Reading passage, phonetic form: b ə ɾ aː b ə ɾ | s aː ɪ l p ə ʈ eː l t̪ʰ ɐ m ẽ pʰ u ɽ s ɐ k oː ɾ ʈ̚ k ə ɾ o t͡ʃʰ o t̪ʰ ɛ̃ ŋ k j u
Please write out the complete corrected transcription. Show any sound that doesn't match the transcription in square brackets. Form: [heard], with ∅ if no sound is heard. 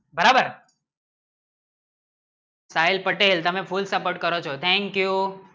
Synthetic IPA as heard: b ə ɾ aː b ə ɾ | s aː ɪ l p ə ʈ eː l [t̪] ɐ m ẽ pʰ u [l] s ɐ [p] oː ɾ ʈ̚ k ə ɾ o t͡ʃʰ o t̪ʰ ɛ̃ ŋ k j u